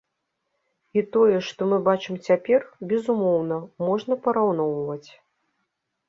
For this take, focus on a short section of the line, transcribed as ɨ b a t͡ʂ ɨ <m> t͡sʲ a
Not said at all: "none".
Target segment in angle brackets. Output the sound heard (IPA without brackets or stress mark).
m